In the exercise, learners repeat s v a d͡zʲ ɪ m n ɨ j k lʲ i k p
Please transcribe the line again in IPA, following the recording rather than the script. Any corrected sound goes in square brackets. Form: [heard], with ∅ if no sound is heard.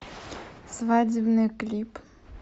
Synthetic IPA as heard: s v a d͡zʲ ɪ [b] n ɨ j k lʲ i [∅] p